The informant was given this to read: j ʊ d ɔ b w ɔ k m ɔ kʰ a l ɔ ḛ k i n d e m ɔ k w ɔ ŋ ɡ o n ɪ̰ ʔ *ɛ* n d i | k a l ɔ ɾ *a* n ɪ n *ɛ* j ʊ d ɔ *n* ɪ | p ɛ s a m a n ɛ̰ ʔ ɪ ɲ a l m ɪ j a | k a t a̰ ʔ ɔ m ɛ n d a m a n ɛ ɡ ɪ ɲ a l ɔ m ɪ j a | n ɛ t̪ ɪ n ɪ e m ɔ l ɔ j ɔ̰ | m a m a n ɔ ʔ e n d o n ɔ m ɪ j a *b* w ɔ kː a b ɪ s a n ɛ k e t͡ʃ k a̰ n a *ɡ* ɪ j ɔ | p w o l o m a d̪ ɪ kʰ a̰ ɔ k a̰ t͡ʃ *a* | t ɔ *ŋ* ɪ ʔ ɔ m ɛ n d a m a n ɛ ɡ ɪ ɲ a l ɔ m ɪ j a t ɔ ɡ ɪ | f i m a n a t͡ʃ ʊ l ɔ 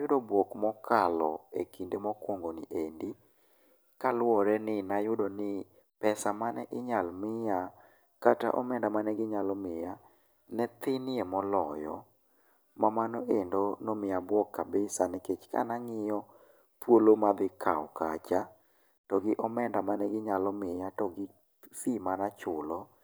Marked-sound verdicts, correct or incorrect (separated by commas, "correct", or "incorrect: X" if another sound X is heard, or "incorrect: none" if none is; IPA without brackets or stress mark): incorrect: e, incorrect: ɛ, incorrect: a, correct, correct, incorrect: ŋ, correct, incorrect: ɡ